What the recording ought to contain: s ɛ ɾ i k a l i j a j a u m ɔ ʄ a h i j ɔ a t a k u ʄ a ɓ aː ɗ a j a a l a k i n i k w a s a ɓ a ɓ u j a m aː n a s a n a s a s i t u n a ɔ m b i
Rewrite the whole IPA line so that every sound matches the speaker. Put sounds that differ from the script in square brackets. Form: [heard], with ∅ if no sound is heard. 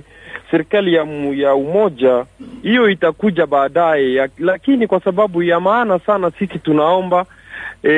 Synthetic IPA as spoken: s ɛ ɾ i k a l i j a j a u m ɔ ʄ a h i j ɔ [i] t a k u ʄ a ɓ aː ɗ a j [ɛ] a l a k i n i k w a s a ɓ a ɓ u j a m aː n a s a n a s [i] s i t u n a ɔ m b [a]